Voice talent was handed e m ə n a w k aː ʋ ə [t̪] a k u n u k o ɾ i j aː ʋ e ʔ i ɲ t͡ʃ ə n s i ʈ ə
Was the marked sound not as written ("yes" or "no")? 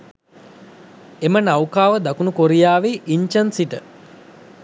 yes